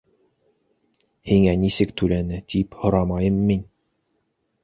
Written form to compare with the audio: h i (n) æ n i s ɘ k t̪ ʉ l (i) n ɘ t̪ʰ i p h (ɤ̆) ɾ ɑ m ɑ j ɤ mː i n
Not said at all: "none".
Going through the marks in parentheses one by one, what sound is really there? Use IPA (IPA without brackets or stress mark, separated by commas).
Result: ŋ, æ, ŏ